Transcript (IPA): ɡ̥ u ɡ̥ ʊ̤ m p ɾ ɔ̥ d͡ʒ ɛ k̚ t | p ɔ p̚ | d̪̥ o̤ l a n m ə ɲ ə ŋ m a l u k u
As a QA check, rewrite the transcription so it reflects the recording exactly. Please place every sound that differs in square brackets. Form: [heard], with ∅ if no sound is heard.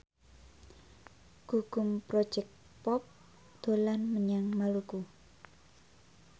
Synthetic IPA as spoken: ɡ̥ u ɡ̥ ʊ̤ m p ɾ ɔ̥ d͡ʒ ɛ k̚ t | p ɔ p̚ | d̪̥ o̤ l a n m ə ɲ [a] ŋ m a l u k u